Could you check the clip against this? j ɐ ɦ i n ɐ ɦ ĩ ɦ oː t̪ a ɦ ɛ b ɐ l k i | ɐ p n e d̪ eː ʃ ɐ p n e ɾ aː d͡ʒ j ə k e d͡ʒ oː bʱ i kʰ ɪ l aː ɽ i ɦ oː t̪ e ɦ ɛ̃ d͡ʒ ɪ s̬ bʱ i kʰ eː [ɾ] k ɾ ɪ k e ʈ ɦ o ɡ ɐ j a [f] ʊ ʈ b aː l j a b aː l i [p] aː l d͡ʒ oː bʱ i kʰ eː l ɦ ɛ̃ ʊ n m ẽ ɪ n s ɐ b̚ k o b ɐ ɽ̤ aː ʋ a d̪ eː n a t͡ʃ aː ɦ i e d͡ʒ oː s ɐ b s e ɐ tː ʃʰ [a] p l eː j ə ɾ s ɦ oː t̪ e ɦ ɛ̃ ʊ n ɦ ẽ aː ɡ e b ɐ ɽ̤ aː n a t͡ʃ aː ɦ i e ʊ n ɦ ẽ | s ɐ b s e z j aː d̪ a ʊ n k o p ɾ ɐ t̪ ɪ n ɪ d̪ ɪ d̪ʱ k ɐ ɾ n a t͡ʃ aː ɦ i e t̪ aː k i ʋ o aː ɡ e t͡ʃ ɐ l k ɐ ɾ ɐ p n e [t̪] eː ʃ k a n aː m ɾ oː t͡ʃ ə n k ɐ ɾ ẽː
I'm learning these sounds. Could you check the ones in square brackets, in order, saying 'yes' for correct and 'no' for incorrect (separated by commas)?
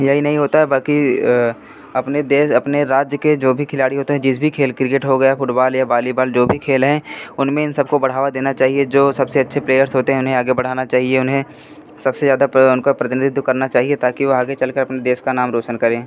no, yes, no, no, no